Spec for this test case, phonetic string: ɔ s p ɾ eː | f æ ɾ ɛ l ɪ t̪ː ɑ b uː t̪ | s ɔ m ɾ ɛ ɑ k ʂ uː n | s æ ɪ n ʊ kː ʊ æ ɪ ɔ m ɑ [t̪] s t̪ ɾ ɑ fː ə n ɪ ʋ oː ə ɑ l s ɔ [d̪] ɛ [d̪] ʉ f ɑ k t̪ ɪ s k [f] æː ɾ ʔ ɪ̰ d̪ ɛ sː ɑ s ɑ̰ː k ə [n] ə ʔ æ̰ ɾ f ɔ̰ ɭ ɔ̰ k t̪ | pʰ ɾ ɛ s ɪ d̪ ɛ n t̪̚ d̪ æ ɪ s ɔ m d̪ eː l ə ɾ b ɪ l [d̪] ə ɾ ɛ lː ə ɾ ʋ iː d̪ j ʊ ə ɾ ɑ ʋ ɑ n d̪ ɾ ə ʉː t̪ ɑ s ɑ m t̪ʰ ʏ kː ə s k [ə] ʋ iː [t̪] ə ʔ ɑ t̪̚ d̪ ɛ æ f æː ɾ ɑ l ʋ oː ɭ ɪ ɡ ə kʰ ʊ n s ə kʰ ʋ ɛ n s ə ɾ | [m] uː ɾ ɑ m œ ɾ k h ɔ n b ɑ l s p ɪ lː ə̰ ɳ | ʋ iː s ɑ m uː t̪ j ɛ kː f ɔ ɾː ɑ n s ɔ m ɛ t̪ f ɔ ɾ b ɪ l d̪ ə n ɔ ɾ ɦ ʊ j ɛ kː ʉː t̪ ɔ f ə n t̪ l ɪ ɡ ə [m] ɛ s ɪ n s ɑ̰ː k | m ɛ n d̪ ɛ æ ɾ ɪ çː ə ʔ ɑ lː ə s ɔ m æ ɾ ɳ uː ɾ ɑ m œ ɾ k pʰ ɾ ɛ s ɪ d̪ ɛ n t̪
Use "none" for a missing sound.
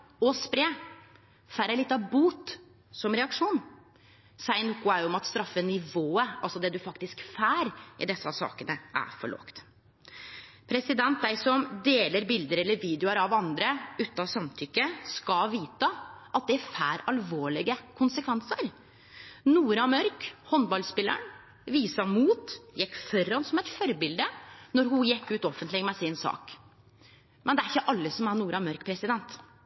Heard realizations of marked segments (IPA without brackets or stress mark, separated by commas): t̪, d̪, d̪, f, n, d̪, ɑ, t̪, n, m